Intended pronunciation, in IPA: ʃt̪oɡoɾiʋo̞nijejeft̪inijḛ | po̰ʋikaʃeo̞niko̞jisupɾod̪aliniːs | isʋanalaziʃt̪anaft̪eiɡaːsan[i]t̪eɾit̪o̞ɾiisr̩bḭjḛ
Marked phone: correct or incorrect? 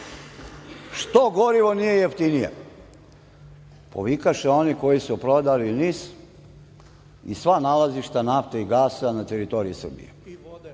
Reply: incorrect